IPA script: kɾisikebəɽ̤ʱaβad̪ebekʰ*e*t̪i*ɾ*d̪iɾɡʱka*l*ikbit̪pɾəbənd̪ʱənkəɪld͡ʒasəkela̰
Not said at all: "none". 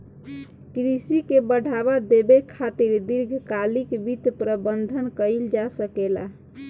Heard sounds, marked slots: a, ɾ, l

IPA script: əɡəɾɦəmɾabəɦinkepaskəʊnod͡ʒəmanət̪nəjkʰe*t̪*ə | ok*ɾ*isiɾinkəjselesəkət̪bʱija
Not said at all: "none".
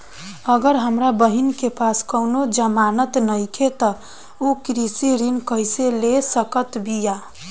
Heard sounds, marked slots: t̪, ɾ

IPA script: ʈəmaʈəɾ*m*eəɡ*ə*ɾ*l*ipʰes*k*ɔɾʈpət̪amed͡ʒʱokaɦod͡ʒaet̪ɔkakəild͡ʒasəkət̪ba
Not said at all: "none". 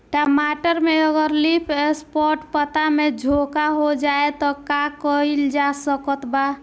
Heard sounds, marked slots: m, ə, l, p

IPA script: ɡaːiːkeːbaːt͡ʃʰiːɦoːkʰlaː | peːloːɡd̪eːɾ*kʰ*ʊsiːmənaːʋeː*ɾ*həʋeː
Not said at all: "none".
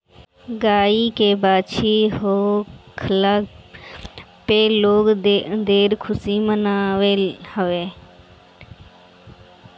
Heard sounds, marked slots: kʰ, none

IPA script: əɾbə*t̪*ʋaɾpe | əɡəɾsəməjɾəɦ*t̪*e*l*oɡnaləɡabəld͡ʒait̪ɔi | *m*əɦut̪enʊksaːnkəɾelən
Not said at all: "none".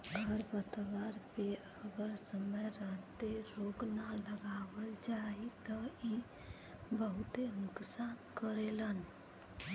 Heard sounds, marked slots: t̪, t̪, ɾ, b

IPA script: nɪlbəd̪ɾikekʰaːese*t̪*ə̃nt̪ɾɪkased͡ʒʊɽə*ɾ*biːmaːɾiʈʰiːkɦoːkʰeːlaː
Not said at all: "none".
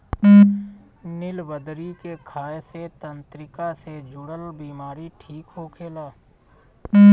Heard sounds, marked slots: t̪, l

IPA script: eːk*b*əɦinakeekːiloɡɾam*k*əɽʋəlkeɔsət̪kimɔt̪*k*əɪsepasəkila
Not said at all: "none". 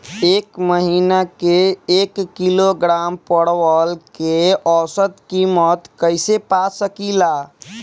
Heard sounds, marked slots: m, p, k

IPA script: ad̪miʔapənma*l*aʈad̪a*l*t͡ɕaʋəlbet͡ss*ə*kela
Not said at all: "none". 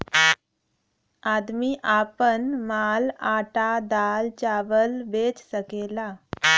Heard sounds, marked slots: l, l, ə

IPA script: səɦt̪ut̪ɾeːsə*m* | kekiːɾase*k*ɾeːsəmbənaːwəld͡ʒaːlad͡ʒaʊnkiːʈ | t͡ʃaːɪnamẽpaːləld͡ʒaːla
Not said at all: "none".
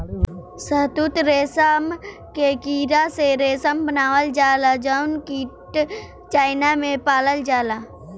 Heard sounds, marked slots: m, none

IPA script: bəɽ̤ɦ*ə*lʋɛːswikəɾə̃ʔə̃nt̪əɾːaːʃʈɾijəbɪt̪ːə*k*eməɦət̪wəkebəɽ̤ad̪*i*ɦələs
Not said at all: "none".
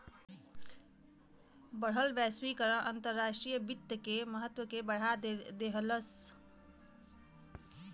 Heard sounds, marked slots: ə, k, e

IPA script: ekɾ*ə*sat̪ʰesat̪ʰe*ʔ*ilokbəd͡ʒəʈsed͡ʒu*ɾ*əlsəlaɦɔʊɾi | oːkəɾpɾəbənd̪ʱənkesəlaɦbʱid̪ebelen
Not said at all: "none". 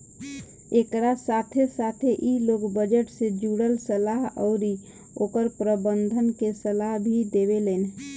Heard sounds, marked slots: a, ʔ, ɽ

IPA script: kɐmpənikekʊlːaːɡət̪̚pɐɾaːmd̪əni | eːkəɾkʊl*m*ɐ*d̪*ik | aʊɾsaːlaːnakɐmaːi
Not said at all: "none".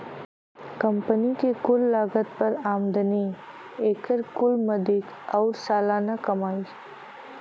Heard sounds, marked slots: m, d̪

